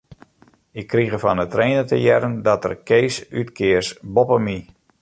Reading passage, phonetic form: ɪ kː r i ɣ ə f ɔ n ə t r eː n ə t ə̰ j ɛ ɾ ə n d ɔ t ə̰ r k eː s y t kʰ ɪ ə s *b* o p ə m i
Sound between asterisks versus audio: correct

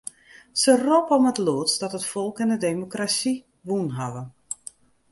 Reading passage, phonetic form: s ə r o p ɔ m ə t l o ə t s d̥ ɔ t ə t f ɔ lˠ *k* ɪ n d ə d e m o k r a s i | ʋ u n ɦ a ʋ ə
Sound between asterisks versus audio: correct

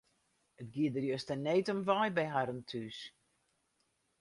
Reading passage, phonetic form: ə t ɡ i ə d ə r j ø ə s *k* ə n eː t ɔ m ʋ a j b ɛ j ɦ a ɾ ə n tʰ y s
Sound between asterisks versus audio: incorrect: t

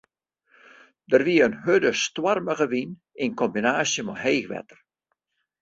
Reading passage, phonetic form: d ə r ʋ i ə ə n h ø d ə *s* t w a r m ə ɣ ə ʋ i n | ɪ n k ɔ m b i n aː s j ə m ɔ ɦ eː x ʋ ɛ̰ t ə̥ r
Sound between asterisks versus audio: correct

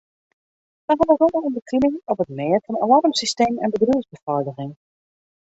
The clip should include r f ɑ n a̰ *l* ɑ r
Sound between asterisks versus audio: correct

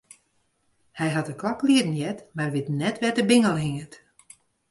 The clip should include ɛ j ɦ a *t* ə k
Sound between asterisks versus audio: correct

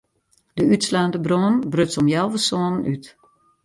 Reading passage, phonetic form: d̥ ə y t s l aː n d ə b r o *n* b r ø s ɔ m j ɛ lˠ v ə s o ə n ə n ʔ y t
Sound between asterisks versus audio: correct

